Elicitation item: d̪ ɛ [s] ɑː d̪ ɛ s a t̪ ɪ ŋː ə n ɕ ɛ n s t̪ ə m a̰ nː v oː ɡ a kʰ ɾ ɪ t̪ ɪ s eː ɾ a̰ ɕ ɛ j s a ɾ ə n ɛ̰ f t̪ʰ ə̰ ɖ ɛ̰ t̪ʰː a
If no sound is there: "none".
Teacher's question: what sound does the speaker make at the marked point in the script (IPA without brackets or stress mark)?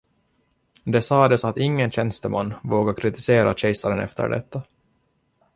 s